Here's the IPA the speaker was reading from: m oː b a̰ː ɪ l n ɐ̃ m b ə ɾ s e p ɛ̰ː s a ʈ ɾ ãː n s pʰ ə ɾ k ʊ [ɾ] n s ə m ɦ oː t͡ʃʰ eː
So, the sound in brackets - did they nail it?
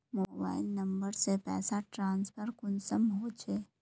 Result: no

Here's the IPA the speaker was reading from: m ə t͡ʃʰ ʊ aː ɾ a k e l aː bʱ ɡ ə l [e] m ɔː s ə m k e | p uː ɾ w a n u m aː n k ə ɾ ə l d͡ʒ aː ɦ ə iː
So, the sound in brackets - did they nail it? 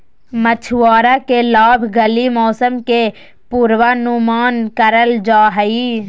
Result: no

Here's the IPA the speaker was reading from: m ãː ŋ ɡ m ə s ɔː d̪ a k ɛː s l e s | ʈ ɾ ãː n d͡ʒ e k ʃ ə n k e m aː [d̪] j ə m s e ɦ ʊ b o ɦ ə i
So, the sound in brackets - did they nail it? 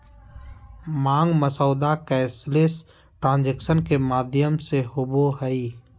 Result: yes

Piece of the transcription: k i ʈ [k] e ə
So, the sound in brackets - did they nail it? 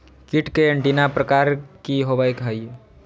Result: yes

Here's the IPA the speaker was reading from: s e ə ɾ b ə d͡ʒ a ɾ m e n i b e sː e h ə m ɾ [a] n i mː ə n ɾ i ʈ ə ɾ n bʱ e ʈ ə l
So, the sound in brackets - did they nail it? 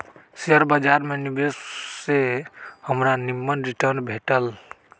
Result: yes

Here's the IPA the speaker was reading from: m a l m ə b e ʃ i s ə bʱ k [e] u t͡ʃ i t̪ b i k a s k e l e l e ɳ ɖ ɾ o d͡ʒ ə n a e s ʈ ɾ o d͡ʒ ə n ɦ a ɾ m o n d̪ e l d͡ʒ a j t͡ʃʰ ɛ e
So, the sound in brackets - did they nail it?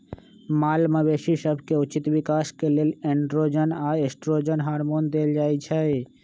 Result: yes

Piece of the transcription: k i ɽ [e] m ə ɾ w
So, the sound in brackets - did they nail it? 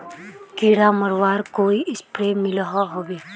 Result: no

